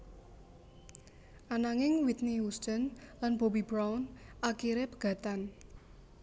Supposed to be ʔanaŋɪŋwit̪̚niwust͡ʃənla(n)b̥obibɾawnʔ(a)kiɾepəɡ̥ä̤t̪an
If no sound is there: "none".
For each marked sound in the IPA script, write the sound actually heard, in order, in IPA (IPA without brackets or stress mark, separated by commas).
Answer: n, a